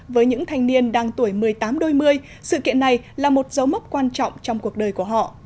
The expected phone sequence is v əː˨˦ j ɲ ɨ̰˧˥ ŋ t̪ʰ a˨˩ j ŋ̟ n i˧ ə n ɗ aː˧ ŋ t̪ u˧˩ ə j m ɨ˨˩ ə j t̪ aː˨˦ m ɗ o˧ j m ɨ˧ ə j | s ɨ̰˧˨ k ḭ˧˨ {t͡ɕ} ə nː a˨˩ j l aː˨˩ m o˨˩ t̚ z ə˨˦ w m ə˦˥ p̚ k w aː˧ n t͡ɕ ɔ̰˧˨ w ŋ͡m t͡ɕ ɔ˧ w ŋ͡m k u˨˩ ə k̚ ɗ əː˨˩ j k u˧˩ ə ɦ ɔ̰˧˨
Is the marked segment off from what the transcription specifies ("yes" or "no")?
yes